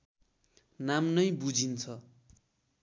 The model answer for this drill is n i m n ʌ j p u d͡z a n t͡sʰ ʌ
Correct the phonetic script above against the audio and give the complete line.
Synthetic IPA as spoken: n a m n ʌ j b u d͡z i n t͡sʰ ʌ